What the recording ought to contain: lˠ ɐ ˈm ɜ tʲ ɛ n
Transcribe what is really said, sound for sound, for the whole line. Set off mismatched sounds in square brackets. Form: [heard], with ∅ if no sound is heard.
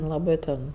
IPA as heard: lˠ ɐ [ˈb] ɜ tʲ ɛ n